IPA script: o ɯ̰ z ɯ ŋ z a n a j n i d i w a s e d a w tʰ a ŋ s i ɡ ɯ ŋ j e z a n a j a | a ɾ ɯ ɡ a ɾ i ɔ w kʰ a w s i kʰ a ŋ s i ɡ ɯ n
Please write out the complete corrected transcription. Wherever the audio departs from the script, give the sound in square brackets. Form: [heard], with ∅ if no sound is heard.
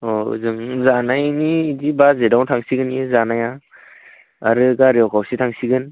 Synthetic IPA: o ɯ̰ z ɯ ŋ z a n a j n i d i [b] a [z] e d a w tʰ a ŋ s i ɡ ɯ [n] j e z a n a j a | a ɾ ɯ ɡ a ɾ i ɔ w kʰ a w s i [tʰ] a ŋ s i ɡ ɯ n